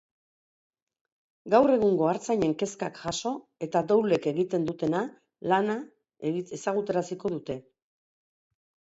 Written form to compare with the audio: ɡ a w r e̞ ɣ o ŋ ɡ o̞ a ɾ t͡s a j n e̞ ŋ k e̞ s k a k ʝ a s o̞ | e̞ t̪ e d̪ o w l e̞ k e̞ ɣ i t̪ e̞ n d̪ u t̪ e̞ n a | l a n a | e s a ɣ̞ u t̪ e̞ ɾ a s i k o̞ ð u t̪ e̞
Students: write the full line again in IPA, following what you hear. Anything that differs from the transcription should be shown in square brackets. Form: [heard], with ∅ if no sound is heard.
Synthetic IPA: ɡ a w r e̞ ɣ [u] ŋ ɡ o̞ a ɾ t͡s a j [ɲ] e̞ ŋ k e̞ s k a k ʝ a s o̞ | e̞ t̪ [a] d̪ o w l e̞ k e̞ ɣ i t̪ e̞ n d̪ u t̪ e̞ n a | l a n a | e s a ɣ̞ u t̪ e̞ ɾ a s i k o̞ ð u t̪ e̞